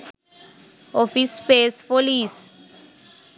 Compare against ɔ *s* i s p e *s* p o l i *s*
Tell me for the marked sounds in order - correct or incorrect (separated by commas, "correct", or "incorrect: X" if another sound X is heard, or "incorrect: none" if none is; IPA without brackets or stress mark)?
incorrect: f, correct, correct